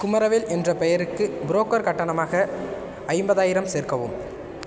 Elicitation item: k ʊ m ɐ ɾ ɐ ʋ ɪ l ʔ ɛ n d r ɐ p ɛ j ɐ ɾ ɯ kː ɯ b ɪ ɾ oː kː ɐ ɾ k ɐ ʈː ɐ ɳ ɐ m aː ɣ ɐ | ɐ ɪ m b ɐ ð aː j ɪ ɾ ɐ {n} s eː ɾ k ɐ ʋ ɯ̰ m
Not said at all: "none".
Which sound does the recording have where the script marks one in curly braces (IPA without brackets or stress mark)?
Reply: m